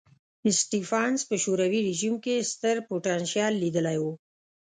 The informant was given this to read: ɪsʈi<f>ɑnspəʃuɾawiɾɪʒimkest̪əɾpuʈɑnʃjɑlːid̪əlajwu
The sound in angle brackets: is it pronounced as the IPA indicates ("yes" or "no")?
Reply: yes